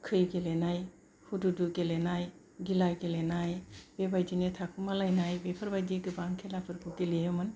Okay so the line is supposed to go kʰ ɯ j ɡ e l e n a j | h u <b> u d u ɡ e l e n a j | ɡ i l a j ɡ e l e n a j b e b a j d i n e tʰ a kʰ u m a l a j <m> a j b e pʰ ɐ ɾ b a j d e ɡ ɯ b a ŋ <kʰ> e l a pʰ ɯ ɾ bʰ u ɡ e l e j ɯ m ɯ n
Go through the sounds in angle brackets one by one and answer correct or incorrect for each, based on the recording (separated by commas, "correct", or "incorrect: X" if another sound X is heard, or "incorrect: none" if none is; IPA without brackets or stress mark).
incorrect: d, incorrect: n, correct